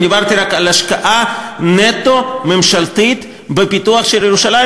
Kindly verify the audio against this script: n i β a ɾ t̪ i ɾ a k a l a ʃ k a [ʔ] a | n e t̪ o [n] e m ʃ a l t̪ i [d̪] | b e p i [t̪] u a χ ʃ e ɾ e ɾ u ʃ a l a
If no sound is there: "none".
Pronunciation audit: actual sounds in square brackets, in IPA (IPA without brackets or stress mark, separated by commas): ʔ, m, t̪, t̪